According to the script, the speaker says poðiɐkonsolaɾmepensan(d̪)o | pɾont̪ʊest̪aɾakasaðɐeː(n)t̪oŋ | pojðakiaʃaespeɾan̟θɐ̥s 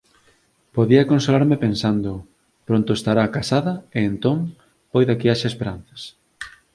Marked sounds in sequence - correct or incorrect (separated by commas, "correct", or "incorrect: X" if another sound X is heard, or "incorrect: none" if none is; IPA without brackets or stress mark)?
correct, correct